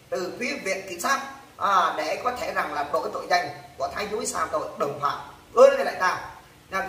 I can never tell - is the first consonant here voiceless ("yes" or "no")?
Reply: yes